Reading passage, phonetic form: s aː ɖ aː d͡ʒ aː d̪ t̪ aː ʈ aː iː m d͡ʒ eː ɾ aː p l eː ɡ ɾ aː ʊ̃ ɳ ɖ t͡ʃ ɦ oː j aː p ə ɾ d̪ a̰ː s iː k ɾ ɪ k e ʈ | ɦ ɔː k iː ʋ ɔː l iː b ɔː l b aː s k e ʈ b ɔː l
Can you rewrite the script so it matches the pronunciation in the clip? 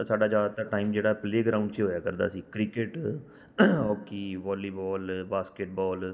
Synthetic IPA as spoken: s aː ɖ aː d͡ʒ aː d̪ t̪ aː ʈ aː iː m d͡ʒ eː ɽ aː p l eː ɡ ɾ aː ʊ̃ ɳ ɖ t͡ʃ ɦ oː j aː k ə ɾ d̪ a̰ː s iː k ɾ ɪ k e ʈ | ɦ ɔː k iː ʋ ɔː l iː b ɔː l b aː s k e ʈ b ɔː l